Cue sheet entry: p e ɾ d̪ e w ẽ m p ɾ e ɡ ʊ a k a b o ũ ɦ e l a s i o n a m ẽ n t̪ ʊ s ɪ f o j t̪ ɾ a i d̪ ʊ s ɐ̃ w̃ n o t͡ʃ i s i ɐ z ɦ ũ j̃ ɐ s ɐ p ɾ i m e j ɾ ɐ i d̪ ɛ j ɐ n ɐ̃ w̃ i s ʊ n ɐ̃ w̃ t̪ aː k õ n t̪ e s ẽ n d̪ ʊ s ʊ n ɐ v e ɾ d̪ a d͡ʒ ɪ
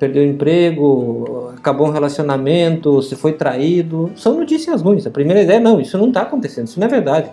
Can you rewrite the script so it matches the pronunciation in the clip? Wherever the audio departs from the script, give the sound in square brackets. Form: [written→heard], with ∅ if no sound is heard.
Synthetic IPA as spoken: p e ɾ d̪ e w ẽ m p ɾ e ɡ ʊ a k a b o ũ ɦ e l a s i o n a m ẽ n t̪ ʊ s ɪ f o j t̪ ɾ a i d̪ ʊ s ɐ̃ w̃ n o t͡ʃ i s i ɐ z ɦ ũ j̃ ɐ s ɐ p ɾ i m e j ɾ ɐ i d̪ ɛ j ɐ n ɐ̃ w̃ i s ʊ n ɐ̃ w̃ t̪ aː k õ n t̪ e s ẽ n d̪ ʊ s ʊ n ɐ v e ɾ d̪ a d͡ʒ ɪ